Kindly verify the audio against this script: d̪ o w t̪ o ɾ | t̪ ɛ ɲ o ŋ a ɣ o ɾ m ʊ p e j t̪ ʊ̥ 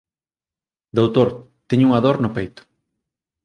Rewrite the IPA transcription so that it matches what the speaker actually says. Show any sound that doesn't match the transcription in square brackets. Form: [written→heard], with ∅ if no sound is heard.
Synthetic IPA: d̪ o w t̪ o ɾ | t̪ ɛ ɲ [o→u] ŋ a [ɣ→ð] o ɾ [m→n] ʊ p e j t̪ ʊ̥